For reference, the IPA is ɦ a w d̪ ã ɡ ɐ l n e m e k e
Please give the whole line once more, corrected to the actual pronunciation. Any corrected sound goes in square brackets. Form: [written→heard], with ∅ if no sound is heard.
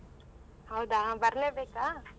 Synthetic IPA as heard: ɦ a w d̪ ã [ɡ→b] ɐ [l→ɾ] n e [m→b] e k [e→a]

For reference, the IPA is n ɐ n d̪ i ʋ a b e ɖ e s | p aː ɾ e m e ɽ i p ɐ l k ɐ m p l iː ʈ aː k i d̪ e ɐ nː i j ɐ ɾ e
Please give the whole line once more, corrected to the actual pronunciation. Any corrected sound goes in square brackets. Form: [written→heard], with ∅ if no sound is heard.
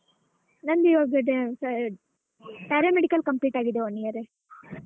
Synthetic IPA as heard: n ɐ n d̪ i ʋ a [b→ɡ] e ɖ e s | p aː ɾ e m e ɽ i [p→k] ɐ l k ɐ m p l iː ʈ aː [k→ɡ] i d̪ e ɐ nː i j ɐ ɾ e

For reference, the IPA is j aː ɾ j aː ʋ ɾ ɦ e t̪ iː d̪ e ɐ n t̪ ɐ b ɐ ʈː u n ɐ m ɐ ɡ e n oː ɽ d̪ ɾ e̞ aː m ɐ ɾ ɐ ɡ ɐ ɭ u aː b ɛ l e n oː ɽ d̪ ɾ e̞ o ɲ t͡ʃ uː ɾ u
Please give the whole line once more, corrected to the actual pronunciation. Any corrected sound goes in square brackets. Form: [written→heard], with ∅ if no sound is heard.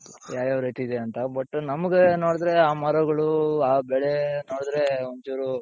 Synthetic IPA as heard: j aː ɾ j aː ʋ ɾ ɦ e t̪ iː d̪ e ɐ n t̪ ɐ b ɐ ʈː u n ɐ m ɐ ɡ e n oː ɽ d̪ ɾ e̞ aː m ɐ ɾ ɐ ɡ ɐ ɭ u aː b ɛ [l→ɭ] e n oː ɽ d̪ ɾ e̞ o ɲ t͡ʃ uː ɾ u

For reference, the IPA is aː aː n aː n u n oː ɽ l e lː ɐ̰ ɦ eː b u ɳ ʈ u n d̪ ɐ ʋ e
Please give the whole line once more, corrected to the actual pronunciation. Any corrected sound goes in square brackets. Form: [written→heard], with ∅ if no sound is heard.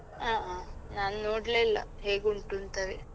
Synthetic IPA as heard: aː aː n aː n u n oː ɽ l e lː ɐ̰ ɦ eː [b→ɡ] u ɳ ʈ u n [d̪→t̪] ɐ ʋ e

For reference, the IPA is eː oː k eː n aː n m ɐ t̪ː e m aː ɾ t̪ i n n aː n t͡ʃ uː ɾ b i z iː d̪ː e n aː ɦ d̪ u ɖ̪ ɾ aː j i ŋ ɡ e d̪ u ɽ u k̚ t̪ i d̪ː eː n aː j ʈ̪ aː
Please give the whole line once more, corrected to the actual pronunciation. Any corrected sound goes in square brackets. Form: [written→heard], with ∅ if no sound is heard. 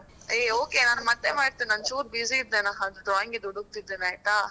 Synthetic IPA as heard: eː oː k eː n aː n m ɐ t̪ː e m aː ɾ t̪ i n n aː n t͡ʃ uː ɾ b i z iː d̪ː e n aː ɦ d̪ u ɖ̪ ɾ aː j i ŋ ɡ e d̪ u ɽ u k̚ t̪ i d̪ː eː n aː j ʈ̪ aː

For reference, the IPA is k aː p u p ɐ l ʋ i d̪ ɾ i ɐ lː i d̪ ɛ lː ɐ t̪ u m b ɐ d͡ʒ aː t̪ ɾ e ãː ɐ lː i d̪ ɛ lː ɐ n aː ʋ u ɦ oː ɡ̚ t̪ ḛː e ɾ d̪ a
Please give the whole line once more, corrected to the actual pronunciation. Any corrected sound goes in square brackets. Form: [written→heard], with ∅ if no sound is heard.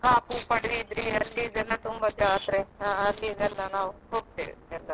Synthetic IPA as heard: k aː p u p ɐ [l→ɽ] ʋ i d̪ ɾ i ɐ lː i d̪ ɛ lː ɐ t̪ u m b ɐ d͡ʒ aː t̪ ɾ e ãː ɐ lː i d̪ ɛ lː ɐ n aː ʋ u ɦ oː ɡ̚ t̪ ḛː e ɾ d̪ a

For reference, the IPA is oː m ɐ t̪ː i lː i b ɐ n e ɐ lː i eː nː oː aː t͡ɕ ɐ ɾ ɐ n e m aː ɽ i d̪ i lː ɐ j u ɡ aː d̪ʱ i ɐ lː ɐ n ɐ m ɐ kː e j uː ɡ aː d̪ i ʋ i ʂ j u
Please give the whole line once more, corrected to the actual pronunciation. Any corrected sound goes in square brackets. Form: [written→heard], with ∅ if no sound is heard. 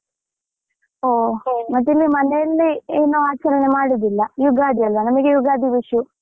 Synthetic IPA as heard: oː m ɐ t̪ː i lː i [b→m] ɐ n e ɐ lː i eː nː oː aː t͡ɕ ɐ ɾ ɐ n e m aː ɽ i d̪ i lː ɐ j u ɡ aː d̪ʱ i ɐ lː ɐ n ɐ m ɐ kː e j [uː→u] ɡ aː d̪ i ʋ i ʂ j u

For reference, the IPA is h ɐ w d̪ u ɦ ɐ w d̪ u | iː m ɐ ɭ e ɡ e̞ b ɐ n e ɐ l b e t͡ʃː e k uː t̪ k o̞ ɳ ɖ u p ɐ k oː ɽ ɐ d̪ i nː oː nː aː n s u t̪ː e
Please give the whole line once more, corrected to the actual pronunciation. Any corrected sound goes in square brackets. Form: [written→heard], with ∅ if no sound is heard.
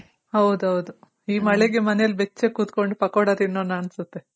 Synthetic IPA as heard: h ɐ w d̪ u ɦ ɐ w d̪ u | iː m ɐ ɭ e ɡ e̞ [b→m] ɐ n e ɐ l b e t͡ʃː e k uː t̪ k o̞ ɳ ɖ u p ɐ k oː ɽ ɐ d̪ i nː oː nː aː n s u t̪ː e

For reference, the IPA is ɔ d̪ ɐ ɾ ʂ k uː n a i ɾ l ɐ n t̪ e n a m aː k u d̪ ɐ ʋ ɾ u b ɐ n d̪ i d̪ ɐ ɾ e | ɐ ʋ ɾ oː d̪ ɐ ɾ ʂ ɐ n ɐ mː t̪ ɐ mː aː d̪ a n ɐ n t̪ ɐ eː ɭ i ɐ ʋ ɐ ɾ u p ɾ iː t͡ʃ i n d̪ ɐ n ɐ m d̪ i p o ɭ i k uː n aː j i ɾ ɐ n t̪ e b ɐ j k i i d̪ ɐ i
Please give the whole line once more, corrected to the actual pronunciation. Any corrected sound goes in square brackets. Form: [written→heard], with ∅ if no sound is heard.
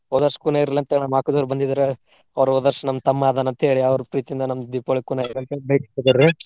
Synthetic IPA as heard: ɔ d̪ ɐ ɾ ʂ k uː n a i ɾ l ɐ n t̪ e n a m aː k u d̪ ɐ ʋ ɾ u b ɐ n d̪ i d̪ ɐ ɾ e | ɐ ʋ ɾ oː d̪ ɐ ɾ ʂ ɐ n ɐ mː t̪ ɐ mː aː d̪ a n ɐ n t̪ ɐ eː ɭ i ɐ ʋ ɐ ɾ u p ɾ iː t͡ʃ i n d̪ ɐ n ɐ m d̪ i p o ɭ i k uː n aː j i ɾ ɐ n t̪ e b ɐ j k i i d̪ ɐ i

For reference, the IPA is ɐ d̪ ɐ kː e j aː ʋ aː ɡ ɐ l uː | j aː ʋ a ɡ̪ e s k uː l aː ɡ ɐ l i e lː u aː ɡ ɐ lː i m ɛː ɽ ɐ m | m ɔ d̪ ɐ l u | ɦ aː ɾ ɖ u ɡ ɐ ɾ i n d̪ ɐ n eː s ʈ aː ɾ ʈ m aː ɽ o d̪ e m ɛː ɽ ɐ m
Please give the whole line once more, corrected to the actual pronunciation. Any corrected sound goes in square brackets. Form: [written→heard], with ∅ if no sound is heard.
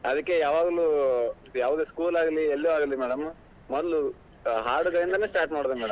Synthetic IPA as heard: ɐ d̪ ɐ kː e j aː ʋ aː ɡ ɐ l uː | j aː ʋ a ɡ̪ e s k uː l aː ɡ ɐ l i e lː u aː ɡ ɐ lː i m ɛː ɽ ɐ m | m ɔ d̪ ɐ l u | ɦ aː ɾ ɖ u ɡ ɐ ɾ i n d̪ ɐ n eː s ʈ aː ɾ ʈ m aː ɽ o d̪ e m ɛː ɽ ɐ m

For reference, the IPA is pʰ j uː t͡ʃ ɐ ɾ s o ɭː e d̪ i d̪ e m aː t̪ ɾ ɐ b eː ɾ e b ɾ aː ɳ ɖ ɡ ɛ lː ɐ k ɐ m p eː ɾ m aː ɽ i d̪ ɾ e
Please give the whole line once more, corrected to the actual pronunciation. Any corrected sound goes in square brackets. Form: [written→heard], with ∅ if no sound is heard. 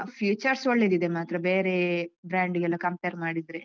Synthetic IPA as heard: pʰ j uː t͡ʃ ɐ ɾ s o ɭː e d̪ i d̪ e m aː t̪ ɾ ɐ b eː ɾ e b ɾ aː ɳ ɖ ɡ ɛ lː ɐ k ɐ m p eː ɾ m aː ɽ i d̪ ɾ e

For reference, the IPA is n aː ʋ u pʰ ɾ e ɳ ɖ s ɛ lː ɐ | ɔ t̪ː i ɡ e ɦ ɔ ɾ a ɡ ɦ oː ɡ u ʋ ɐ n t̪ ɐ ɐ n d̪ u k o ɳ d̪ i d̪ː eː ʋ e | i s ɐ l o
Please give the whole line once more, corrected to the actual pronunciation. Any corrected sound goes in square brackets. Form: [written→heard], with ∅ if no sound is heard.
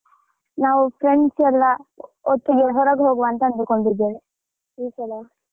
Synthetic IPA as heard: n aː ʋ u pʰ ɾ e ɳ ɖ s ɛ lː ɐ | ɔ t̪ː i ɡ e ɦ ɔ ɾ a ɡ ɦ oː ɡ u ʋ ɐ n t̪ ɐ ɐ n d̪ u k o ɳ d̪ i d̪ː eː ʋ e | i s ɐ l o

